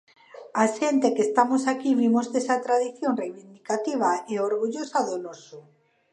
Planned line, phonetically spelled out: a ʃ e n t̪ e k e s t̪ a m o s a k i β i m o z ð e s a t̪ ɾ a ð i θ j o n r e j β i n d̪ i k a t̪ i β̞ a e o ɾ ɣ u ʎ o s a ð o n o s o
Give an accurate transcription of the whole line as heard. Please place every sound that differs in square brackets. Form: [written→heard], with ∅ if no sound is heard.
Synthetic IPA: a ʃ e n t̪ e k e s t̪ a m o s a k i β i m o z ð e s a t̪ ɾ a ð i θ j o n r e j β i n d̪ i k a t̪ i β̞ a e o ɾ ɣ u ʎ o s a ð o n o s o